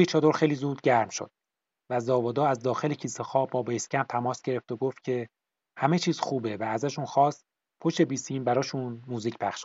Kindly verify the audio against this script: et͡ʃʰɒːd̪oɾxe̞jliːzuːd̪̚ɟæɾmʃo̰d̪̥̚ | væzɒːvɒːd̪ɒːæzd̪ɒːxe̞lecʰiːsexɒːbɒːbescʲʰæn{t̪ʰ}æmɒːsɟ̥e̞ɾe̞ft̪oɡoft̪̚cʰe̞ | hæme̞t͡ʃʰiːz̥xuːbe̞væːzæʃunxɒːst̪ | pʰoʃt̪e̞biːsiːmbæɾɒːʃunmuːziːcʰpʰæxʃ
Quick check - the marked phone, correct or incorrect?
correct